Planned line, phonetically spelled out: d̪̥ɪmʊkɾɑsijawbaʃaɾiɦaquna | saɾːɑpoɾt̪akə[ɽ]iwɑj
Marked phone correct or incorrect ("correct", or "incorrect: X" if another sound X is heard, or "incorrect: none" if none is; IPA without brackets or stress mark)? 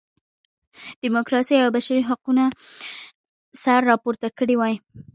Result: correct